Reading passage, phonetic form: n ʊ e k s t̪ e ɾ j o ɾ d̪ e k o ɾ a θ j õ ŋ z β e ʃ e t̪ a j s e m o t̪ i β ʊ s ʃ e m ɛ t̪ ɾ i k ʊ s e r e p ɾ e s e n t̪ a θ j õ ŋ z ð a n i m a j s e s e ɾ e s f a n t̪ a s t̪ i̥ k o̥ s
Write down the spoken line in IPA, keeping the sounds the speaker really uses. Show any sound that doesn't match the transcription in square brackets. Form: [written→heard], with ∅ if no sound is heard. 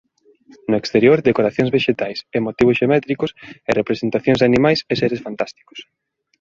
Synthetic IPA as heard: n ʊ e k s t̪ e ɾ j o ɾ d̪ e k o ɾ a θ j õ ŋ z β e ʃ e t̪ a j s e m o t̪ i β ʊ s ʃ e m ɛ t̪ ɾ i k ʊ s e r e p ɾ e s e n t̪ a θ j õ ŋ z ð a n i m a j s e s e ɾ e s f a n t̪ a s t̪ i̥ k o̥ s